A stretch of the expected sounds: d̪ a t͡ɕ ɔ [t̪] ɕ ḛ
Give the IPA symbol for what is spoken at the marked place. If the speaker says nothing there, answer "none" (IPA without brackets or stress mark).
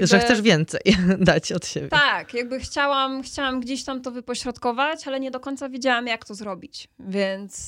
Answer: t̪